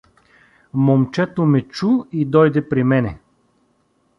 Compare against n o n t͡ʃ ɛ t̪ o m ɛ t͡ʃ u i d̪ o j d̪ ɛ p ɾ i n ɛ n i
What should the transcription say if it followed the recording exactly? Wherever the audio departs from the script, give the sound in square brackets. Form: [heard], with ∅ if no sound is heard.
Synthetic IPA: [m] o [m] t͡ʃ ɛ t̪ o m ɛ t͡ʃ u i d̪ [ɔ] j d̪ ɛ p ɾ i [m] ɛ n [ɛ]